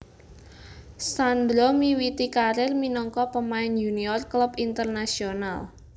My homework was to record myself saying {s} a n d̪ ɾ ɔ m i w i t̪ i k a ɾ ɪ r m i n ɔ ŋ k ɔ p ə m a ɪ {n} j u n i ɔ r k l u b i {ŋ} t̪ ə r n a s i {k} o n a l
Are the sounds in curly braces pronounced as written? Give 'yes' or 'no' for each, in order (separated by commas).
yes, yes, no, no